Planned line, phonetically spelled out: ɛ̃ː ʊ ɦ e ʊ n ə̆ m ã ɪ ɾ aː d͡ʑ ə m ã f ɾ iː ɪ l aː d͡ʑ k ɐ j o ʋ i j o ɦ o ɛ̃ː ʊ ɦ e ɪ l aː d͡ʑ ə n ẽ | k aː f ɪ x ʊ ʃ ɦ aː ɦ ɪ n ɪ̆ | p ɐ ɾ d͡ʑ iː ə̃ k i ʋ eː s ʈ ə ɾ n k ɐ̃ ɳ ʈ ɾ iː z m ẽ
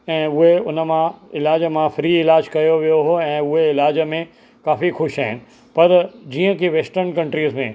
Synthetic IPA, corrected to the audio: ɛ̃ː ʊ ɦ e ʊ n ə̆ m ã ɪ l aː d͡ʑ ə m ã f ɾ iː ɪ l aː d͡ʑ k ɐ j o ʋ i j o ɦ o ɛ̃ː ʊ ɦ e ɪ l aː d͡ʑ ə m ẽ | k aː f i x ʊ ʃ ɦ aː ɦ ɪ n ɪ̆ | p ɐ ɾ d͡ʑ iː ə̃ k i ʋ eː s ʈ ə ɾ n k ɐ̃ ɳ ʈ ɾ iː z m ẽ